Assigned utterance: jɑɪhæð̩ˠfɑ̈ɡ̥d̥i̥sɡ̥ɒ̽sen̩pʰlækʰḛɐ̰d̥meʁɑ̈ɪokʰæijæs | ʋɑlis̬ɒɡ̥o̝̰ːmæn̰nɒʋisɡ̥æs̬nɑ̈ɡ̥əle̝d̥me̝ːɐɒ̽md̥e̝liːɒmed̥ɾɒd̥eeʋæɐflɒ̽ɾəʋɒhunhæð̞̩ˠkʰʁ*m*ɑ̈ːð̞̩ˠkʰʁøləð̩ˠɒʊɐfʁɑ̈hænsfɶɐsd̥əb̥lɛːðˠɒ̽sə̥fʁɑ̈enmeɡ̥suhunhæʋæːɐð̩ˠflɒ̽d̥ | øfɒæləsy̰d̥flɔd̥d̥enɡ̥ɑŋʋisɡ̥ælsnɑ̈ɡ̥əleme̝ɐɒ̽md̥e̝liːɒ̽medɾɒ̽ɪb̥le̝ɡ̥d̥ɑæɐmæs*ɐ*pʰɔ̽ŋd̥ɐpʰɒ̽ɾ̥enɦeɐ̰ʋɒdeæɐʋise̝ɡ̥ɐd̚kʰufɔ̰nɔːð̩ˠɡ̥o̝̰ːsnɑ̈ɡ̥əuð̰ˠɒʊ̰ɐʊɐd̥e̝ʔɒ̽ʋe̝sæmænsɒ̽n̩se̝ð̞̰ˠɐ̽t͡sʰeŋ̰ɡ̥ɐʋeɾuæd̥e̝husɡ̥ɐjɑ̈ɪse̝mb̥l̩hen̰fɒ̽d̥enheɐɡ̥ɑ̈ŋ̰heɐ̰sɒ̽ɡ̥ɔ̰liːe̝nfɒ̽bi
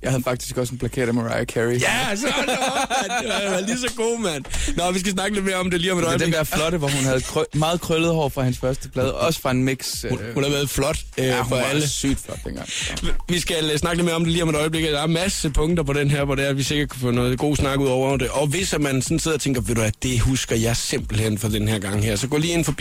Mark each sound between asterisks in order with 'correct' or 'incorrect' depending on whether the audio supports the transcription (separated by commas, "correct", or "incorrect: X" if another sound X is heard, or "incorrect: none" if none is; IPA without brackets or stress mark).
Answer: correct, incorrect: ə